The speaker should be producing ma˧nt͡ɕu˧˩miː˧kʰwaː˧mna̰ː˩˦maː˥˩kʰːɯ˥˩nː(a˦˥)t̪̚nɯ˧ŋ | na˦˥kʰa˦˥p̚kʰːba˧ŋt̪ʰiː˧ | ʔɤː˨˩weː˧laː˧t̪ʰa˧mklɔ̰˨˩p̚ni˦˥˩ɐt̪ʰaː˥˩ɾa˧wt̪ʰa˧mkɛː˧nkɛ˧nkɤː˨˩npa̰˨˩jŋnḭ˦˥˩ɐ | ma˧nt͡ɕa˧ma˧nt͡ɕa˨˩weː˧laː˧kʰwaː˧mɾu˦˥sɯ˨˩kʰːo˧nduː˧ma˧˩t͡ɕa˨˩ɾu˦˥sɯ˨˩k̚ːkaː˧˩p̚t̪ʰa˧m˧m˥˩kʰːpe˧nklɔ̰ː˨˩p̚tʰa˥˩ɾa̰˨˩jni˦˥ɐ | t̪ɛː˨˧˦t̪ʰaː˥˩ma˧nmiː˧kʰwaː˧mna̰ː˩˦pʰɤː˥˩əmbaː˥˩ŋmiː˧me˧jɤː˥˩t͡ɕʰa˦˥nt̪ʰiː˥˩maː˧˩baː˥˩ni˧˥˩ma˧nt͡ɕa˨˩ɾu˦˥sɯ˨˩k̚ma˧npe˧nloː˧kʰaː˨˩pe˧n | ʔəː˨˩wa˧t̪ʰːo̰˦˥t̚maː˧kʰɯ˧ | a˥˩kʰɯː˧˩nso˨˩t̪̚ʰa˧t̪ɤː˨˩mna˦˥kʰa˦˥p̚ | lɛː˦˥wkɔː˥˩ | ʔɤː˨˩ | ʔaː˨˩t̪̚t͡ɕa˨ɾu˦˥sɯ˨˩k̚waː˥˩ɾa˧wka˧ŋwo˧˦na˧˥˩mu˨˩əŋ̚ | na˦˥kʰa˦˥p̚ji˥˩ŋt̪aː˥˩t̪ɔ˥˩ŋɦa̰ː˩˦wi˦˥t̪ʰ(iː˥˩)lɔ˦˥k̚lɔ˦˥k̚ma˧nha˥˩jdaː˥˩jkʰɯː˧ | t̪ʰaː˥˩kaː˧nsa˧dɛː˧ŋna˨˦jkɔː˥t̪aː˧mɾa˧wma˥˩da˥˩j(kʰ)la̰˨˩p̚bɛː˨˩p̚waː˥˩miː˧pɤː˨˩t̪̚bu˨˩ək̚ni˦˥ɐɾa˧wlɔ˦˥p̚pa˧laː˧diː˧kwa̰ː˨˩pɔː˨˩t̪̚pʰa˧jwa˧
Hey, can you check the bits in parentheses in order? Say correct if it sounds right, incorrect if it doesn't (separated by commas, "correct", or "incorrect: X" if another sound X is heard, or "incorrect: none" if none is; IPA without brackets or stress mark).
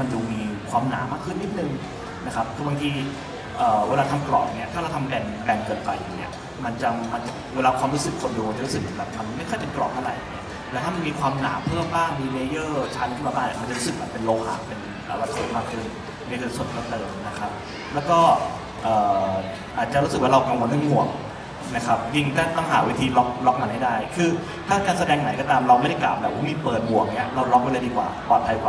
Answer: incorrect: i˦˥, incorrect: iː˧, incorrect: k